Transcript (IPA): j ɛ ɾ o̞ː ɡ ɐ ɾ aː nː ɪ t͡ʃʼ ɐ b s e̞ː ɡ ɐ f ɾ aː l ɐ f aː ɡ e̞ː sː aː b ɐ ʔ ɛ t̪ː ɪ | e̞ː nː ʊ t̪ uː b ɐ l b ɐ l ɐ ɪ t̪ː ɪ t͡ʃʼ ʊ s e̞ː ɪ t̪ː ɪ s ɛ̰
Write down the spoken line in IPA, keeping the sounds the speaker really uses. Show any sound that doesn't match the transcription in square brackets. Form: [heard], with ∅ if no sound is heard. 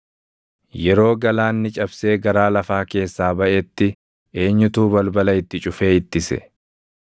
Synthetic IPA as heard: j ɛ ɾ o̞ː ɡ ɐ [l] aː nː ɪ t͡ʃʼ ɐ b s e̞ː ɡ ɐ [∅] ɾ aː l ɐ f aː [k] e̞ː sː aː b ɐ ʔ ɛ t̪ː ɪ | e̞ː [ɲː] ʊ t̪ uː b ɐ l b ɐ l ɐ ɪ t̪ː ɪ t͡ʃʼ ʊ [f] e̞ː ɪ t̪ː ɪ s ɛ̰